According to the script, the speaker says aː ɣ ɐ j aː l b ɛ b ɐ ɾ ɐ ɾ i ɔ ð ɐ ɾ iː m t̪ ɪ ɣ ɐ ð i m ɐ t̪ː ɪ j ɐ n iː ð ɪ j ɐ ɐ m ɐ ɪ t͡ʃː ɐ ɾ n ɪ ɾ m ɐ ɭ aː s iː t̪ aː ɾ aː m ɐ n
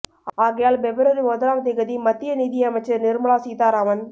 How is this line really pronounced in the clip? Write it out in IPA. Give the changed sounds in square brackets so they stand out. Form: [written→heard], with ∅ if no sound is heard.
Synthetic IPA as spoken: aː ɣ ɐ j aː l b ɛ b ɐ ɾ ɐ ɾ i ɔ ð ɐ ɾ [iː→aː] m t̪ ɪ ɣ ɐ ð i m ɐ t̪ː ɪ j ɐ n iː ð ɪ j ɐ ɐ m ɐ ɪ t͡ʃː ɐ ɾ n ɪ ɾ m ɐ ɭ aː s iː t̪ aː ɾ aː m ɐ n